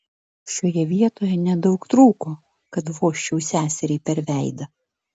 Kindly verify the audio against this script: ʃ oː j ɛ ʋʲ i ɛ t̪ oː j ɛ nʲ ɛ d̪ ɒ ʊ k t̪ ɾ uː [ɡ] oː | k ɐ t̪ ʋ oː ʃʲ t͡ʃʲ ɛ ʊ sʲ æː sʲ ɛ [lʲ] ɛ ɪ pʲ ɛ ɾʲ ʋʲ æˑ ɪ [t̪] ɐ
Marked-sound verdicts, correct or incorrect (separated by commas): incorrect, incorrect, incorrect